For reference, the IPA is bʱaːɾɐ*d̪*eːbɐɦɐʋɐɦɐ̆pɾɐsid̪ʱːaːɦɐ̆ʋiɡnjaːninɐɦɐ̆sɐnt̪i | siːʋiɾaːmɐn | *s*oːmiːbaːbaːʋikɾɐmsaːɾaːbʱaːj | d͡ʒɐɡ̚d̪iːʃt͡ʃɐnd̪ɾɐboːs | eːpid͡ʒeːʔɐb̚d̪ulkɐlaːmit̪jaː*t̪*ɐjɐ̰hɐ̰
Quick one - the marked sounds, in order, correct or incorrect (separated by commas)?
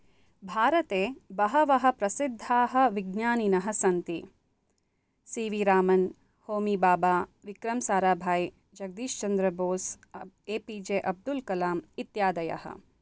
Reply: incorrect, incorrect, incorrect